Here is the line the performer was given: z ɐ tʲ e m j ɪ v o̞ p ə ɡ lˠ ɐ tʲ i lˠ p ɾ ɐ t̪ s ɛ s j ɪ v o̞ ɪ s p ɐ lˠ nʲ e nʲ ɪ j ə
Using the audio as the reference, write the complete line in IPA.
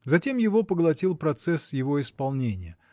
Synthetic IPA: z ɐ tʲ e m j ɪ v o̞ p ə ɡ lˠ ɐ tʲ i lˠ p ɾ ɐ t̪ s ɛ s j ɪ v o̞ ɪ s p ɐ lˠ nʲ e nʲ ɪ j ə